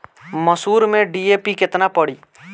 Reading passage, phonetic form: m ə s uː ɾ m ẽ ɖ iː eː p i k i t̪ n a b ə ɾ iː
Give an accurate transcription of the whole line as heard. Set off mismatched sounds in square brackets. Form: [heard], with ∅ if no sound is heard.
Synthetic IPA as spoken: m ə s uː ɾ m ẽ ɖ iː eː p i k [ɪ] t̪ n a [p] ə [ɽ] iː